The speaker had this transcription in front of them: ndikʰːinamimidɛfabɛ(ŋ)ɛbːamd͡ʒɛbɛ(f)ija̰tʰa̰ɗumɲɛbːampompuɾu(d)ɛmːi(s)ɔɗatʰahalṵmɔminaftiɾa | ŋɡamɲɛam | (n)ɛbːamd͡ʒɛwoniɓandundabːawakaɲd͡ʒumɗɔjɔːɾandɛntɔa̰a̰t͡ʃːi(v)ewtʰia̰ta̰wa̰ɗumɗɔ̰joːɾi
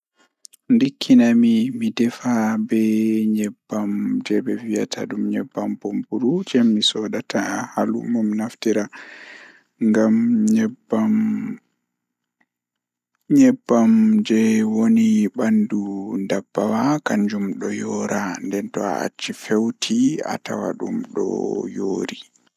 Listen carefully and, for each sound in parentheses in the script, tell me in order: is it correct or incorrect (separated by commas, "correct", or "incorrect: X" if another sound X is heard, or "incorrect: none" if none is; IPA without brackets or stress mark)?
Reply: incorrect: ɲ, incorrect: v, incorrect: d͡ʒ, correct, incorrect: ɲ, incorrect: f